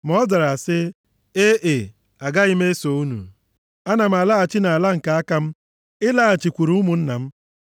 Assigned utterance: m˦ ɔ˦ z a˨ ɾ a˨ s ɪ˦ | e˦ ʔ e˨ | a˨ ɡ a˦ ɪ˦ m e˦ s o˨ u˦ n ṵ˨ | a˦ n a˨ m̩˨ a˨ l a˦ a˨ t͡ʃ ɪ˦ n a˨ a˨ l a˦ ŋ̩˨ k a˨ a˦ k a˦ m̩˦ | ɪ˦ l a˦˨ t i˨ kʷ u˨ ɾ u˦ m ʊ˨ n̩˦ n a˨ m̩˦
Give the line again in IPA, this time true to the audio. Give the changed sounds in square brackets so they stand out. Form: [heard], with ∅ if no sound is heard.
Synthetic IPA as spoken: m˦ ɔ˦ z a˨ ɾ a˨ s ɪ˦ | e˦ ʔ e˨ | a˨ ɡ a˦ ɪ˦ m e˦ s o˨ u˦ n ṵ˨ | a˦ n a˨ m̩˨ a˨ l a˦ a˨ t͡ʃ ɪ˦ n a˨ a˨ l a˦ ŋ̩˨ k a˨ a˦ k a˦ m̩˦ | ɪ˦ l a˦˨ [t͡ʃ] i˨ kʷ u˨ ɾ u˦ m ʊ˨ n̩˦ n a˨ m̩˦